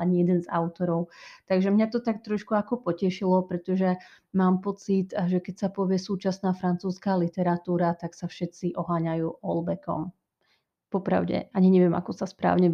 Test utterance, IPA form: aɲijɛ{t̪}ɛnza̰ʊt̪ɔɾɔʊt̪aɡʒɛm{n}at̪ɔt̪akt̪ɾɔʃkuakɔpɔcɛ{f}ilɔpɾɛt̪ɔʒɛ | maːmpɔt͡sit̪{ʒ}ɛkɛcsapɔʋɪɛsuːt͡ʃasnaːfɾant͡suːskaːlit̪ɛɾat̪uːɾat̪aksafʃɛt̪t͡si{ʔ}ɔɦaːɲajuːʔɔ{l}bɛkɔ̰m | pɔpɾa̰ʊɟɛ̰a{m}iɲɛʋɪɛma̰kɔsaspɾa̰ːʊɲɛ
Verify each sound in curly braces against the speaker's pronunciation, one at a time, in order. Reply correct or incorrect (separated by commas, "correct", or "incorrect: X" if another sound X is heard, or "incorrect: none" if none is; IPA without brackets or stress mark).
incorrect: d̪, incorrect: ɲ, incorrect: ʃ, correct, correct, correct, incorrect: ɲ